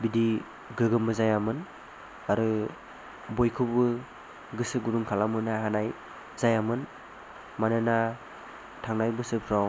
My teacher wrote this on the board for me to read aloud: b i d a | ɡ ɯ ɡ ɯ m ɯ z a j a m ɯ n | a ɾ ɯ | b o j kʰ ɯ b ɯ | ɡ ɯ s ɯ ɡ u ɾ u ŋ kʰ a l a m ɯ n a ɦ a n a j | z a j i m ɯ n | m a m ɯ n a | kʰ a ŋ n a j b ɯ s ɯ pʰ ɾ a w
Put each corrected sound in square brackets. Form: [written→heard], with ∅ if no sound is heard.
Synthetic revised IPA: b i d [a→i] | ɡ ɯ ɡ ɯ m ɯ z a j a m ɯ n | a ɾ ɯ | b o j kʰ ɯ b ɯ | ɡ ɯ s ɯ ɡ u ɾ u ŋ kʰ a l a m ɯ n a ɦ a n a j | z a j [i→a] m ɯ n | m a [m→n] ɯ n a | [kʰ→tʰ] a ŋ n a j b ɯ s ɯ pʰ ɾ a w